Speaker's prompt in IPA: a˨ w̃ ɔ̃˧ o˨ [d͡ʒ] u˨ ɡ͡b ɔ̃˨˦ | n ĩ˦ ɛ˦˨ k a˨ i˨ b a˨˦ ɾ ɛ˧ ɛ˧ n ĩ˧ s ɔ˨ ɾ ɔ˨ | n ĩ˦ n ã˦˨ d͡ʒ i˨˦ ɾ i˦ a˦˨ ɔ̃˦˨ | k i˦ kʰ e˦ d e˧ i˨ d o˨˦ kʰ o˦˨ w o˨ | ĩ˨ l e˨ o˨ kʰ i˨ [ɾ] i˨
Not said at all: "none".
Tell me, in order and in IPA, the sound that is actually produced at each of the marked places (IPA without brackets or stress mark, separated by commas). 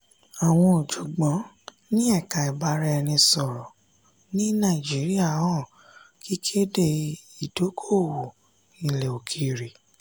d͡ʒ, ɾ